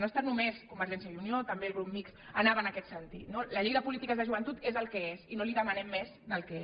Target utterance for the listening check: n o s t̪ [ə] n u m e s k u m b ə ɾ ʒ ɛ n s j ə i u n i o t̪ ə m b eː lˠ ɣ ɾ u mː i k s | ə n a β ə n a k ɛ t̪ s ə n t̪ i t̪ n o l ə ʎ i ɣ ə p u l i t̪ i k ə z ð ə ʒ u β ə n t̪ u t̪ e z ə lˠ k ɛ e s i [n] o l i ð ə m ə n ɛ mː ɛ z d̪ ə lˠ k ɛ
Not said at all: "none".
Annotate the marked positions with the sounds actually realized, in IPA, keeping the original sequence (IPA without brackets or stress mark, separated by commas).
a, n